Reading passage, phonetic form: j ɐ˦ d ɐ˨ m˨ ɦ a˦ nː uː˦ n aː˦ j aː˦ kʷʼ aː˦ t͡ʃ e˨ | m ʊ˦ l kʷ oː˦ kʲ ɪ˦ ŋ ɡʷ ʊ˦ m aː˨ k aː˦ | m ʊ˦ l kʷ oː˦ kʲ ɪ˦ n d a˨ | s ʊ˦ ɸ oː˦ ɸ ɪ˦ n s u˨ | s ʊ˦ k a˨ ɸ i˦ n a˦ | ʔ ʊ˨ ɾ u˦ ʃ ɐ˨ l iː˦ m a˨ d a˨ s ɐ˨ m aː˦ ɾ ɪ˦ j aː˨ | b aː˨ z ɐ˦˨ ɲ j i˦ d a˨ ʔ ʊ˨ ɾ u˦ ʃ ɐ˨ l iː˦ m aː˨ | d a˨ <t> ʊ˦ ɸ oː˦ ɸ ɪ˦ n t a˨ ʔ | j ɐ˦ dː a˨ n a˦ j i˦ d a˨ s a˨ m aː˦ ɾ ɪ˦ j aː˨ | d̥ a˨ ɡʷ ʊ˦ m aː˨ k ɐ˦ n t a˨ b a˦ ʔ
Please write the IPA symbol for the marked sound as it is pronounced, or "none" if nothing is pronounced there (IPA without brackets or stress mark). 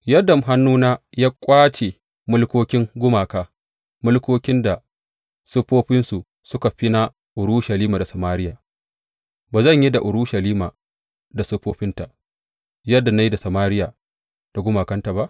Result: s